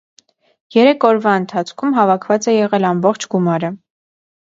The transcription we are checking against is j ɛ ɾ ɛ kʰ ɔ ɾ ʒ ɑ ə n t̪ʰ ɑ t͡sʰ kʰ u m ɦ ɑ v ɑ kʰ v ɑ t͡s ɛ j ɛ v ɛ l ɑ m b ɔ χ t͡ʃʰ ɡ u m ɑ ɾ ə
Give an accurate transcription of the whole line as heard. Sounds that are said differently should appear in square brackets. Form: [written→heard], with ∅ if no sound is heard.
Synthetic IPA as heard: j ɛ ɾ ɛ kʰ ɔ ɾ [ʒ→v] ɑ ə n t̪ʰ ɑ t͡sʰ kʰ u m ɦ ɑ v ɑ kʰ v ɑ t͡s ɛ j ɛ [v→ʁ] ɛ l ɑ m b ɔ χ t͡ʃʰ ɡ u m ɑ ɾ ə